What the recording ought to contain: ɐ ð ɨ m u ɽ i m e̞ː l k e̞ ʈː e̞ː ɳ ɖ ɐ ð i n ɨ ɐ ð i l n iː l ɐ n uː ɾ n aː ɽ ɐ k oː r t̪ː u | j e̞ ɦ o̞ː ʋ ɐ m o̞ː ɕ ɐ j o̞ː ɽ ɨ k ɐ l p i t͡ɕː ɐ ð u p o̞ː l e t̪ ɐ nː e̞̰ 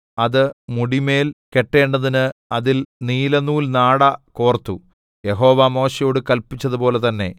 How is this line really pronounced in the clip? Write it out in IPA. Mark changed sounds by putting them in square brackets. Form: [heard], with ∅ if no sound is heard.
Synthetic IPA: ɐ ð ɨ m u ɽ i m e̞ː l k e̞ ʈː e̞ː ɳ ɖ ɐ ð i n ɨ ɐ ð i l n iː l ɐ n uː [l] n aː ɽ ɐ k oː r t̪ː u | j e̞ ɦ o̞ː ʋ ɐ m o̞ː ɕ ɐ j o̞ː ɽ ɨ k ɐ l p i t͡ɕː ɐ ð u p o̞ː l e t̪ ɐ nː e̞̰